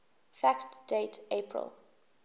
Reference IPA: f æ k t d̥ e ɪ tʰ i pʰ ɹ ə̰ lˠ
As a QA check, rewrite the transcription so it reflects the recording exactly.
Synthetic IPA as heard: f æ k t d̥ e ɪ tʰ e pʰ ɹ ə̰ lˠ